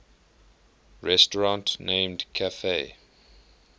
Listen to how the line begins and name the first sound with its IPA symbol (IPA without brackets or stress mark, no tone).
ɹ